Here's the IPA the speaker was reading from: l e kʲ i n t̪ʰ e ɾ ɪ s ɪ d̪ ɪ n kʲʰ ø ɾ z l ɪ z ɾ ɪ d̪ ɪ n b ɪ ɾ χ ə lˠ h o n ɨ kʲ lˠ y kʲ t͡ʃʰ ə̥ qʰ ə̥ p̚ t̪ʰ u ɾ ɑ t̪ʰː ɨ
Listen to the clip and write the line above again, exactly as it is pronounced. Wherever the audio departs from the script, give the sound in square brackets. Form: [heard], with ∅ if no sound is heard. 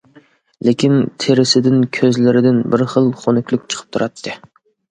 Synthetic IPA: l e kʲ i n t̪ʰ e ɾ ɪ s ɪ d̪ ɪ n kʲʰ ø [∅] z l ɪ [∅] ɾ ɪ d̪ ɪ n b ɪ ɾ χ ə lˠ [χ] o n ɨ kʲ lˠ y kʲ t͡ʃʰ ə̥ qʰ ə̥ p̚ t̪ʰ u ɾ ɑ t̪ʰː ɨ